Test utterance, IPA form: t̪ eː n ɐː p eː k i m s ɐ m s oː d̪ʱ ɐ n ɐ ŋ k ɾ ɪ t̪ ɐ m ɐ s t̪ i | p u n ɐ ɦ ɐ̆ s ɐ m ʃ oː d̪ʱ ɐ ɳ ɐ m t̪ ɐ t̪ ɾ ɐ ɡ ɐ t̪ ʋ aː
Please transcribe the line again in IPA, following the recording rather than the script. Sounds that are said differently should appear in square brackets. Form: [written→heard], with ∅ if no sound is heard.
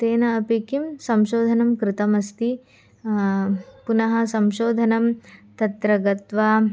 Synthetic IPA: t̪ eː n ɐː p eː k i m s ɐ m [s→ʃ] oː d̪ʱ ɐ n ɐ [ŋ→m] k ɾ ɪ t̪ ɐ m ɐ s t̪ i | p u n ɐ ɦ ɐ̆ s ɐ m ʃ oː d̪ʱ ɐ [ɳ→n] ɐ m t̪ ɐ t̪ ɾ ɐ ɡ ɐ t̪ ʋ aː